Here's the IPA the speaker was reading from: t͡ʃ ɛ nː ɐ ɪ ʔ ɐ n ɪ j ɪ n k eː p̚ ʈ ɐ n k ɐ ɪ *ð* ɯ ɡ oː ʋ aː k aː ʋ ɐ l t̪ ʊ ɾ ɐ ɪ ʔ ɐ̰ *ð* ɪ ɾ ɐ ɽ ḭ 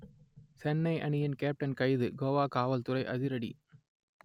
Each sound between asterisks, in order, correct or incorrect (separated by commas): correct, correct